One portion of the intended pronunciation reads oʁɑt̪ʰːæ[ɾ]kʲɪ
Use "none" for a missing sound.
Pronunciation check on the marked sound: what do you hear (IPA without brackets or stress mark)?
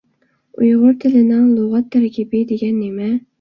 ɾ